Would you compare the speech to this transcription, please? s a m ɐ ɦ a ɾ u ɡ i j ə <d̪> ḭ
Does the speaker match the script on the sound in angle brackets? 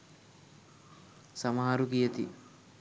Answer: no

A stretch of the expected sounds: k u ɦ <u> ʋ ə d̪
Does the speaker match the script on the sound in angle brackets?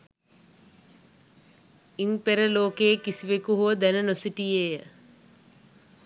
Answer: yes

